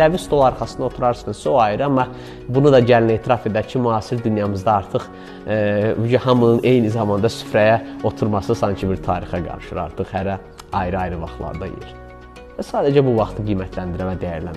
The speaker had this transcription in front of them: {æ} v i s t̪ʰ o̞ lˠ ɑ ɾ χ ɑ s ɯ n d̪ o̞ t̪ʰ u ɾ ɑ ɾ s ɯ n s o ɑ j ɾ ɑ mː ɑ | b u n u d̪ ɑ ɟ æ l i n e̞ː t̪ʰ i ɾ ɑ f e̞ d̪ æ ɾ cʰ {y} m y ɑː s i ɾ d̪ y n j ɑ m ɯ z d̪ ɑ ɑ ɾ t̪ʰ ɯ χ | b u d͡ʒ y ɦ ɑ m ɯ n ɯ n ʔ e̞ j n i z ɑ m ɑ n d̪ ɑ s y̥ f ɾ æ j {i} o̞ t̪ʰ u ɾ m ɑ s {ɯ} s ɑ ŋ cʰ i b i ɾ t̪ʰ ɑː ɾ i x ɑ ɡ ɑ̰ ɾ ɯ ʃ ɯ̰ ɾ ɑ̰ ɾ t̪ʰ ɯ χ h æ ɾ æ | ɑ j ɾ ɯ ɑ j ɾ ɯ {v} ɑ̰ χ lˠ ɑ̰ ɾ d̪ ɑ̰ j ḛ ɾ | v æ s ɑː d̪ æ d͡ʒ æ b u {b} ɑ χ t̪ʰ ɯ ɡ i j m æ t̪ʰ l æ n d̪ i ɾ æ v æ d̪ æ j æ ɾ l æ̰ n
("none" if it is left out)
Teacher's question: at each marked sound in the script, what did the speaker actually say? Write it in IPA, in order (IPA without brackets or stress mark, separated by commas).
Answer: æ, i, æ, ɯ, v, v